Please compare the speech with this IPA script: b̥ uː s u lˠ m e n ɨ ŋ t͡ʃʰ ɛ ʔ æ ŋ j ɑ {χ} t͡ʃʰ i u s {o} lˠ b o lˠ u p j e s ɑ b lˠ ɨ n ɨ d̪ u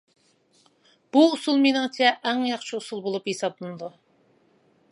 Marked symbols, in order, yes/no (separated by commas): yes, no